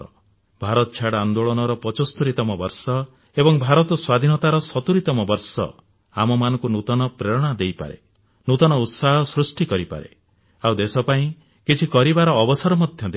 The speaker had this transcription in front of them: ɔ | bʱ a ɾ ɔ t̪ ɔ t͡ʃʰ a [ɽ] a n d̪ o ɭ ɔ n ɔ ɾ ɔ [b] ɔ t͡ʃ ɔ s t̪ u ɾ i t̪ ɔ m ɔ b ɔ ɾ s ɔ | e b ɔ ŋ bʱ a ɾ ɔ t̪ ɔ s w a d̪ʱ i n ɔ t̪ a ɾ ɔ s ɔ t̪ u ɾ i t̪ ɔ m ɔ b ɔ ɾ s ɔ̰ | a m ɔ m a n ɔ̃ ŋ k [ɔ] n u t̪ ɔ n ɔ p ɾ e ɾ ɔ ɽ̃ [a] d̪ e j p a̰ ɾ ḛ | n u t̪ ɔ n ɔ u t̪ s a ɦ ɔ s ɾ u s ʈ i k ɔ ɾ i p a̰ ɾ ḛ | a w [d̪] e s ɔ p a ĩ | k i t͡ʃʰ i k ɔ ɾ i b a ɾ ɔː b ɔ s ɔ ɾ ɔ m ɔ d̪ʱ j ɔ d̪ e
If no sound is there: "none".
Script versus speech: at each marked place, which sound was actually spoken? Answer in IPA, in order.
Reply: ɽ, p, u, a, d̪

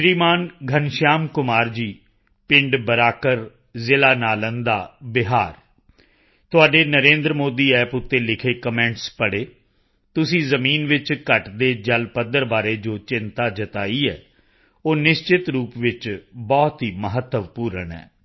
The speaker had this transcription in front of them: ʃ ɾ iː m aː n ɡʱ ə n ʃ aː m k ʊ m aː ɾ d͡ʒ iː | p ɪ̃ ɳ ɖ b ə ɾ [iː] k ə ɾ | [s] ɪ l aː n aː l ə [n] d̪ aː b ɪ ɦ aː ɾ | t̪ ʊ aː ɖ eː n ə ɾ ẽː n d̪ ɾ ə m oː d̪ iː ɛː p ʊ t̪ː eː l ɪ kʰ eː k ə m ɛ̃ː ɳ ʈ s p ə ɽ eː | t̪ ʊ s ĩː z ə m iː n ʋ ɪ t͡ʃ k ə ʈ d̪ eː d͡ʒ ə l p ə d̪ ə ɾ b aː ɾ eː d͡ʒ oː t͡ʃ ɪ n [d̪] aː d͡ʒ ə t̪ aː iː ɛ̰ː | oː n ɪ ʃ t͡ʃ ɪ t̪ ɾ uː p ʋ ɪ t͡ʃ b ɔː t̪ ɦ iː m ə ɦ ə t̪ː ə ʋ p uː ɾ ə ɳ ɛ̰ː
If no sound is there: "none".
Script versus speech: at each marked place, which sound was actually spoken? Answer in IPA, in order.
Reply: aː, z, n, t̪

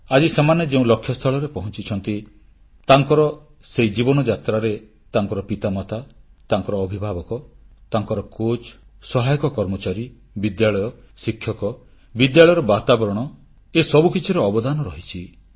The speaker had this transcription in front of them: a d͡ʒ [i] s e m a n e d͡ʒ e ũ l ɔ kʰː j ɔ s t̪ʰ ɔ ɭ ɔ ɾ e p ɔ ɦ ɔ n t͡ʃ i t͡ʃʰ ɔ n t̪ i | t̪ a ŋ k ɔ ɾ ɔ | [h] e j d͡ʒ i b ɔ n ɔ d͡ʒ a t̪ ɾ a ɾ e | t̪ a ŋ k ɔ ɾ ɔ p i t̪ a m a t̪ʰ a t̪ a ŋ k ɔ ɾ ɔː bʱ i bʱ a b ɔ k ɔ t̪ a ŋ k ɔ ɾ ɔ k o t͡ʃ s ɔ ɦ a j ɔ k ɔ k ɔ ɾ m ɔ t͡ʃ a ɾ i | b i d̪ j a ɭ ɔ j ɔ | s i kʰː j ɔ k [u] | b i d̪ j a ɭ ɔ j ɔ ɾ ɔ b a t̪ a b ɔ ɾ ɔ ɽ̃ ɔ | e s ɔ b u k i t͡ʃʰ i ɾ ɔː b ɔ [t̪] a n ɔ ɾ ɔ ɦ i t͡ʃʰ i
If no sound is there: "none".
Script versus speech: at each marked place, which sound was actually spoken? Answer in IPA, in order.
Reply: i, s, ɔ, d̪

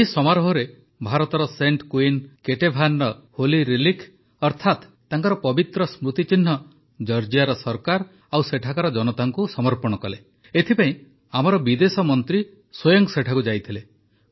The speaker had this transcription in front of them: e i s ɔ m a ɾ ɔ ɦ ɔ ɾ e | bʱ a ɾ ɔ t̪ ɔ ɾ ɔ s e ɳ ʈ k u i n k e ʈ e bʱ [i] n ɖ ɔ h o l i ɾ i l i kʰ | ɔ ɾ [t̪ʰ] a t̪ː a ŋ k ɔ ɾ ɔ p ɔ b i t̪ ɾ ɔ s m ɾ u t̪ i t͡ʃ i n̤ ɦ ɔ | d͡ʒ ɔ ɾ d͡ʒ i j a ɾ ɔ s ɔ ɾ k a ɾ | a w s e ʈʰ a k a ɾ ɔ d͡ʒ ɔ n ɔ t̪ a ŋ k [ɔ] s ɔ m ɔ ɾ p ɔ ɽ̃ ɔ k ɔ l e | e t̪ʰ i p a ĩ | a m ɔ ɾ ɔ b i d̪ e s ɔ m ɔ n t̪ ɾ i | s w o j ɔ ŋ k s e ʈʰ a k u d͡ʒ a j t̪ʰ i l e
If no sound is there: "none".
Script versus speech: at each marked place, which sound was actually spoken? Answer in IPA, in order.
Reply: a, t̪ʰ, u

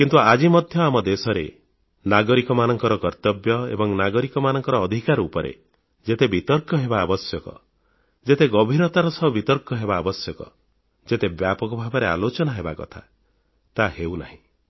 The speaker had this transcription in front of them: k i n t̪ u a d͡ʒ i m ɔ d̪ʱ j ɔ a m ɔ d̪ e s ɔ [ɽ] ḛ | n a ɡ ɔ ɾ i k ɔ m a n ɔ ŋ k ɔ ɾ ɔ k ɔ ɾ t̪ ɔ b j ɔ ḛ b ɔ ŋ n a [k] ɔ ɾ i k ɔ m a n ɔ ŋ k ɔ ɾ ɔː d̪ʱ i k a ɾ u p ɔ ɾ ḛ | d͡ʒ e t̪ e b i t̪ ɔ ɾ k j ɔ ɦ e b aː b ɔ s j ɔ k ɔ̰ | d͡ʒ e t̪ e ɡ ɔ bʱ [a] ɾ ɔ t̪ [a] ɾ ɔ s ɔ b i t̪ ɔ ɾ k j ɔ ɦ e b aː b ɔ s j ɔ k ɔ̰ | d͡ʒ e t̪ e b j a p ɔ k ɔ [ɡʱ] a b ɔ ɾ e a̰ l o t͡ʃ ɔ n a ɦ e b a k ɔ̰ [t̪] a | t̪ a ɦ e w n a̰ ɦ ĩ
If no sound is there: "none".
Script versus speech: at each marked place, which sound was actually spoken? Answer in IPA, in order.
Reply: ɾ, ɡ, i, a, bʱ, t̪ʰ

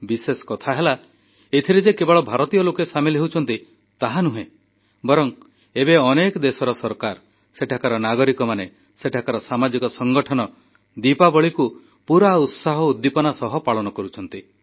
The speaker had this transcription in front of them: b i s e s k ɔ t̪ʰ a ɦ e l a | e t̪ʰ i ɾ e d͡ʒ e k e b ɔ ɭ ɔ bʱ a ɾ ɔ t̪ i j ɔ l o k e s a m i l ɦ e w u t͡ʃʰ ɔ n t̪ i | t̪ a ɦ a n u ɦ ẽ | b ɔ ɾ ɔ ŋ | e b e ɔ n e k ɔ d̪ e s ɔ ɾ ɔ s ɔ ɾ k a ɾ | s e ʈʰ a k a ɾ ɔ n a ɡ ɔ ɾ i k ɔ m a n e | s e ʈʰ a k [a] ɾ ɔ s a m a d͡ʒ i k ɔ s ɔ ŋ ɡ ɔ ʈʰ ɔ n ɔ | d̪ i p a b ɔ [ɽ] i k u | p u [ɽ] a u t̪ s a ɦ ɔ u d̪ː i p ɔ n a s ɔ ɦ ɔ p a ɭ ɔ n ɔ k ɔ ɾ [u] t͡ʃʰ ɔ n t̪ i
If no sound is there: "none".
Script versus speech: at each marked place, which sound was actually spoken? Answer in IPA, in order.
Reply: a, ɭ, ɾ, u

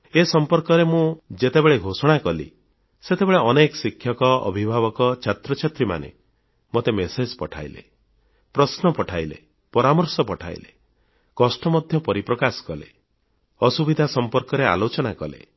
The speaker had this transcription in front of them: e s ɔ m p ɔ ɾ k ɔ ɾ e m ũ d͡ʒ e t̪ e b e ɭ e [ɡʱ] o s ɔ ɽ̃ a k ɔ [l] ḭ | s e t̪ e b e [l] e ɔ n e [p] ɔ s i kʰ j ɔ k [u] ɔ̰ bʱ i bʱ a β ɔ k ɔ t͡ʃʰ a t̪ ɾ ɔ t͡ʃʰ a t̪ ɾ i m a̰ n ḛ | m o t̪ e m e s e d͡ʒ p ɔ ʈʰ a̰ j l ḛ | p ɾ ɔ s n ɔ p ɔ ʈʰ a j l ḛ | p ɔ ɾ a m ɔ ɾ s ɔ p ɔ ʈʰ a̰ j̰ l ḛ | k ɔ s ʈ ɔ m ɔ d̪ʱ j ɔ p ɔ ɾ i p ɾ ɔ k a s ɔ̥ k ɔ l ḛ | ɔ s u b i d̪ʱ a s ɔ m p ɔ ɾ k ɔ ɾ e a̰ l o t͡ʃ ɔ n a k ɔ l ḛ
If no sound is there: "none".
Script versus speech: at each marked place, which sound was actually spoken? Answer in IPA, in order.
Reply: ɡʱ, l, ɭ, k, ɔ

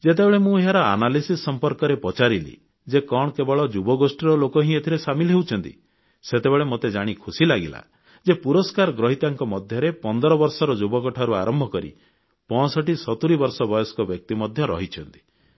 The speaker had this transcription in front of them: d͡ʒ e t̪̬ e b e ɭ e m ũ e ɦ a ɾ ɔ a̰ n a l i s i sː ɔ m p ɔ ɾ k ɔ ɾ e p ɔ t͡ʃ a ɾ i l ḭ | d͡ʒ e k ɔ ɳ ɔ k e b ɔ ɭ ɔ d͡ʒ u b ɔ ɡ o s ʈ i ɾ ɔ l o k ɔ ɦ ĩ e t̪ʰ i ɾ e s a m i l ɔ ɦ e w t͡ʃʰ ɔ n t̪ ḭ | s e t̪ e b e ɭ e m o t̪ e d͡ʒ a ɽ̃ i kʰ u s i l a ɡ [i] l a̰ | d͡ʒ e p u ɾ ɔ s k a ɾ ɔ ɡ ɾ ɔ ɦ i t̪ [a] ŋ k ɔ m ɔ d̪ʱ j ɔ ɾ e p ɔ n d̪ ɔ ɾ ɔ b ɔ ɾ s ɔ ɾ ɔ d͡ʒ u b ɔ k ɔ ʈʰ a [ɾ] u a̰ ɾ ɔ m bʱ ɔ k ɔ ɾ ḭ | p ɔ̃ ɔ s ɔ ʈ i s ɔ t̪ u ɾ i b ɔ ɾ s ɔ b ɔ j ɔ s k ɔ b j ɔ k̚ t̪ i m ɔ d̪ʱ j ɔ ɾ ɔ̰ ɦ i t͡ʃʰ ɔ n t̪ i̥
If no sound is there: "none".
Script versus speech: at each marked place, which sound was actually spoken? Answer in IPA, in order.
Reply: i, a, ɾ

